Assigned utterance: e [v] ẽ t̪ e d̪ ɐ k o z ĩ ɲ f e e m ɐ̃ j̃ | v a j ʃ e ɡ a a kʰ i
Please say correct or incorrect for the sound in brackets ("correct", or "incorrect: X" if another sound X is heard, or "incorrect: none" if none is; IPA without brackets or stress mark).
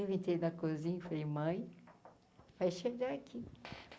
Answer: correct